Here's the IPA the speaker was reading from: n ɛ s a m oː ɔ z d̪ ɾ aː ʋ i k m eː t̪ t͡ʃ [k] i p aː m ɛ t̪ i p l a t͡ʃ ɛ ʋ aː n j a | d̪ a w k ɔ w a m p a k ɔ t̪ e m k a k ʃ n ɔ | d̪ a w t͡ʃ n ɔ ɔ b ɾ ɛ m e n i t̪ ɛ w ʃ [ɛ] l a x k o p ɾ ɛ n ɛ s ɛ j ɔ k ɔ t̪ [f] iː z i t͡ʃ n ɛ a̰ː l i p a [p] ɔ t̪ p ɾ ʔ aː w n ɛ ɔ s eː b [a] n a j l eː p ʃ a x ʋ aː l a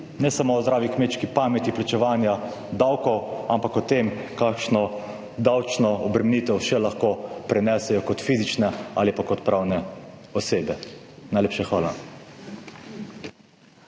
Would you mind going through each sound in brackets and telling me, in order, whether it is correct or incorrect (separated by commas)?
correct, correct, correct, incorrect, incorrect